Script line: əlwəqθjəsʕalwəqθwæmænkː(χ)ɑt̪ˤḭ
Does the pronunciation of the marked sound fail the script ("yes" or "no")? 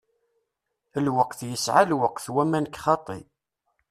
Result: no